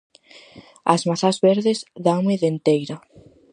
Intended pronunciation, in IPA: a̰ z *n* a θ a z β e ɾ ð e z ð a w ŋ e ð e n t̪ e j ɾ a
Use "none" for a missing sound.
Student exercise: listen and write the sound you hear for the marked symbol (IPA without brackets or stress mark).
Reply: m